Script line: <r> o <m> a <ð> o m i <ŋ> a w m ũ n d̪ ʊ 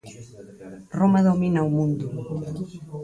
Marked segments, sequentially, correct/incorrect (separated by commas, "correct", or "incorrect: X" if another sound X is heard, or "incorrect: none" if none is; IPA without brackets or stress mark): correct, correct, correct, incorrect: n